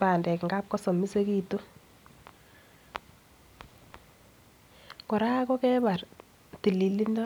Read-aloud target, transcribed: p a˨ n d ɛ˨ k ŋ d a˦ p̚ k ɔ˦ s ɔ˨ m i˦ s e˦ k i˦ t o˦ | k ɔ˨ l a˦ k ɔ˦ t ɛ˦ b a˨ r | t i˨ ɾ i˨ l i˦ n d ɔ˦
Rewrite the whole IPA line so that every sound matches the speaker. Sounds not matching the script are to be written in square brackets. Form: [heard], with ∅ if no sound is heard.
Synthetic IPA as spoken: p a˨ n d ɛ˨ k ŋ [ɡ] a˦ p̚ k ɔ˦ s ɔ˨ m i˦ s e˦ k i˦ t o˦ | k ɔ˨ [ɾ] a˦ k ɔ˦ [k] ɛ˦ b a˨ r | t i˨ [l] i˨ l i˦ n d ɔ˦